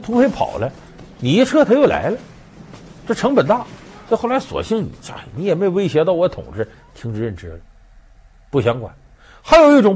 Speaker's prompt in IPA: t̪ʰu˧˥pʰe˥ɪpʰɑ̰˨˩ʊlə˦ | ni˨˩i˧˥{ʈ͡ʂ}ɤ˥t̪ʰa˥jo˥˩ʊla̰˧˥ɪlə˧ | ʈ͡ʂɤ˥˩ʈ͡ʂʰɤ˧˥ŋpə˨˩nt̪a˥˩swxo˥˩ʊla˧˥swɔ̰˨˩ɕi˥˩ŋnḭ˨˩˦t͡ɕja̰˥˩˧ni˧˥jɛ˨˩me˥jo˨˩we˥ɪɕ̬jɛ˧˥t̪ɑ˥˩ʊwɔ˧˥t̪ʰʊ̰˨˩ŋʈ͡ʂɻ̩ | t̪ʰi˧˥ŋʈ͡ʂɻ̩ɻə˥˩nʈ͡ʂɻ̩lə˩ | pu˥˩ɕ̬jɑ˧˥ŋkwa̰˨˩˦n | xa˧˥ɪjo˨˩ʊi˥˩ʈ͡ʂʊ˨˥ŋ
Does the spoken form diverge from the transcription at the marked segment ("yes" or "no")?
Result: yes